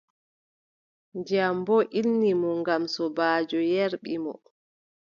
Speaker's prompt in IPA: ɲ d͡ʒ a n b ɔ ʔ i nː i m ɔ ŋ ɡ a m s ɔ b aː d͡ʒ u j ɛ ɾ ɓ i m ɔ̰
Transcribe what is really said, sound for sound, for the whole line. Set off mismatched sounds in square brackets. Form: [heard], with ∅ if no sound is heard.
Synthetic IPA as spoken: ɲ d͡ʒ a [m] b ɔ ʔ i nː i m ɔ ŋ ɡ a m s ɔ b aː d͡ʒ [ɔ] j ɛ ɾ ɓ i m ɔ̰